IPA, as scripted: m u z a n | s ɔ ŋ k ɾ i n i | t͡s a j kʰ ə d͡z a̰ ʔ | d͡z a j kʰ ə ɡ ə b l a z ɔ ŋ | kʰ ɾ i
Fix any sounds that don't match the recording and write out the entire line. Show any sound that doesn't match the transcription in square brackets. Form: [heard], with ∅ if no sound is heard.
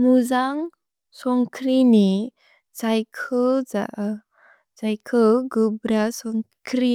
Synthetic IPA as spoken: m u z a [ŋ] | s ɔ ŋ k ɾ i n i | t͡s a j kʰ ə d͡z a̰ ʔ | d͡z a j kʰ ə ɡ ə b [ɾ] a [s] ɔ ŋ | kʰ ɾ i